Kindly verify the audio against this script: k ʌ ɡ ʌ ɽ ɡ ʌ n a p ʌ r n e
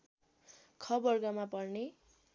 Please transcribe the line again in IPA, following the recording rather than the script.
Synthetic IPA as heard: kʰ ʌ b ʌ r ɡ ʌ m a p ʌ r n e

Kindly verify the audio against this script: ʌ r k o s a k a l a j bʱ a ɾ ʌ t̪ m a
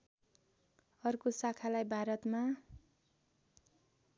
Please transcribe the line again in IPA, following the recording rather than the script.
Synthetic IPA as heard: ʌ r k o s a kʰ a l a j bʱ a ɾ ʌ t̪ m a

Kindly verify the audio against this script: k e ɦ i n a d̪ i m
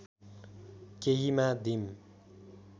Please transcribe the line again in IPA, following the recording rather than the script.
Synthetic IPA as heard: k e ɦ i m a d̪ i m

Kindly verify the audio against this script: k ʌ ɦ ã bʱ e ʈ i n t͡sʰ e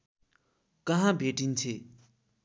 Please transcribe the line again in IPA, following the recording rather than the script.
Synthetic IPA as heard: k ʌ ɦ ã bʱ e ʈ i n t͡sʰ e

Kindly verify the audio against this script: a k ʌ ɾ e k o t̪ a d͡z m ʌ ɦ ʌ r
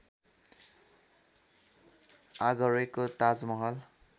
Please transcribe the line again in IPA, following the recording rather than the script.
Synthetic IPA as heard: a ɡ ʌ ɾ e k o t̪ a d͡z m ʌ ɦ ʌ l

